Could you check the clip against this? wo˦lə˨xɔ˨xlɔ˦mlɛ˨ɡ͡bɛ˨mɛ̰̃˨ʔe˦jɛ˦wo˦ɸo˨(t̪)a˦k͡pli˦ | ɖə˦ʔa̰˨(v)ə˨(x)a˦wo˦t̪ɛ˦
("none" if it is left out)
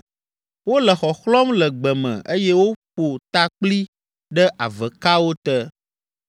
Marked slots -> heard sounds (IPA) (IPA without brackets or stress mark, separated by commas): t̪, v, k